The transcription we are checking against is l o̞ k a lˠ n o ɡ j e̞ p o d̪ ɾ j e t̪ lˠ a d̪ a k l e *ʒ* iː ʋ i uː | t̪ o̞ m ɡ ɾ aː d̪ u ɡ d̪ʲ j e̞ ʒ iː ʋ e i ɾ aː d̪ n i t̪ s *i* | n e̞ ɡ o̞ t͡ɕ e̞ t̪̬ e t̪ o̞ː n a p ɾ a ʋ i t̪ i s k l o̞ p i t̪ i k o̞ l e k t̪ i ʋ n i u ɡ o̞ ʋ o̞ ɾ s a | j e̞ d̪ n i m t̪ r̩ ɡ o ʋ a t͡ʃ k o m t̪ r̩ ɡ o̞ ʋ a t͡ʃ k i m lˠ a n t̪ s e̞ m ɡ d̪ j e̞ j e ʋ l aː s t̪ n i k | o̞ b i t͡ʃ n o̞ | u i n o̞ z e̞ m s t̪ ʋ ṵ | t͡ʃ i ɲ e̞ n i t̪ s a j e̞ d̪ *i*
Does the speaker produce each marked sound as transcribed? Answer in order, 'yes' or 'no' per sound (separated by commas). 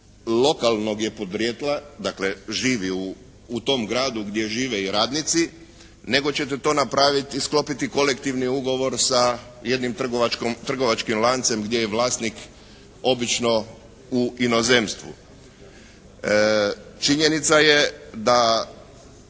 yes, yes, no